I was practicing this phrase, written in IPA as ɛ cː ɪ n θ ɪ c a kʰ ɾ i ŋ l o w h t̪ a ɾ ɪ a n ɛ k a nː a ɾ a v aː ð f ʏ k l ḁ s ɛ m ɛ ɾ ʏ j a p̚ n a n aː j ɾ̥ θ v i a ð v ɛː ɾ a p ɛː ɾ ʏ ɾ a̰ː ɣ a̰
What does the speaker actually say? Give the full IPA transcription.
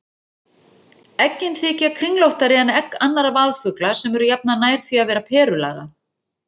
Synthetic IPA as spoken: ɛ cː ɪ n θ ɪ c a kʰ ɾ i ŋ l o w h t̪ a ɾ ɪ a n ɛ k a nː a ɾ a v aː ð f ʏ k l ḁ s ɛ m ɛ ɾ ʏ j a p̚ n a n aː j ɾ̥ θ v i a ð v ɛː ɾ a pʰ ɛː ɾ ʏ l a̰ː ɣ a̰